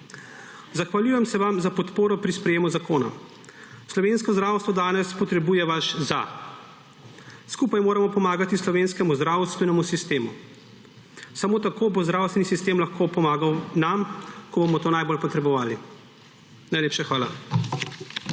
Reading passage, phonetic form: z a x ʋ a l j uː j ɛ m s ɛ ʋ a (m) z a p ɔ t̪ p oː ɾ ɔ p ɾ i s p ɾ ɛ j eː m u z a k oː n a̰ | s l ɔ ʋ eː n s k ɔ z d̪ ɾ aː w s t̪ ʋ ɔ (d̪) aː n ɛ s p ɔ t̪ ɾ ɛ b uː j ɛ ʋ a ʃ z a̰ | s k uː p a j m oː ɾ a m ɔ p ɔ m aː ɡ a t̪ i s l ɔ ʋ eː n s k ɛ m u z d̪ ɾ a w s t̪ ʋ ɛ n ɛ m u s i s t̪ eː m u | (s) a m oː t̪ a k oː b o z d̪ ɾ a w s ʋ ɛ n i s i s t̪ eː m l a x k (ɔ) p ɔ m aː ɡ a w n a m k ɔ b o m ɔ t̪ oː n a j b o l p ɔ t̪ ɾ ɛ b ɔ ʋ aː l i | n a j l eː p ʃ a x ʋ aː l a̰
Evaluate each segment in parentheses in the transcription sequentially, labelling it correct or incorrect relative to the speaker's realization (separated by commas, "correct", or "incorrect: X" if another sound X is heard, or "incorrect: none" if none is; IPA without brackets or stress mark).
correct, correct, correct, incorrect: o